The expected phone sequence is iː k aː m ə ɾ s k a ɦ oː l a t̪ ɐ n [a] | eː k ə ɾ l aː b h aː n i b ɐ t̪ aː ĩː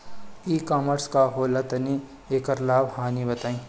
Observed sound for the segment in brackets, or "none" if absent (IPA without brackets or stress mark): i